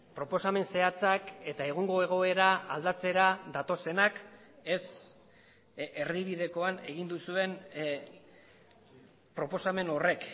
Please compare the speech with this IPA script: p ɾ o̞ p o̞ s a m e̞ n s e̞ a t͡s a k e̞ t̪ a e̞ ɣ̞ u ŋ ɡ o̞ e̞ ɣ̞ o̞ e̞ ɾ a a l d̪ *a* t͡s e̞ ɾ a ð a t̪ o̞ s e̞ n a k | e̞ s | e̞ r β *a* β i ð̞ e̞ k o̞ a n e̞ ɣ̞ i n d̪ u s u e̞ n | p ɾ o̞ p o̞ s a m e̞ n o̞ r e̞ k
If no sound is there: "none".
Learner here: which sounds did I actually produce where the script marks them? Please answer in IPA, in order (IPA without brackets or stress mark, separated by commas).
a, i